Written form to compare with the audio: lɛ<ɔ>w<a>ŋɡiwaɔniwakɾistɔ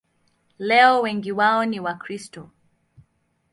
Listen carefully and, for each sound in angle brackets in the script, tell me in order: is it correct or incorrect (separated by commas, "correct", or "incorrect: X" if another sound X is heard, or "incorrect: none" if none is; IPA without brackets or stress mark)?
correct, incorrect: ɛ